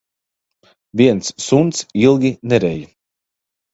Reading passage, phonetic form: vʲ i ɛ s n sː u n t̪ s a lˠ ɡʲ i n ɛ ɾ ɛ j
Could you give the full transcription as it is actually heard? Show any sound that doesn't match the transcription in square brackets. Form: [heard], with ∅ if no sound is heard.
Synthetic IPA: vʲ i ɛ [∅] n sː u n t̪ s [i] lˠ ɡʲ i n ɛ ɾ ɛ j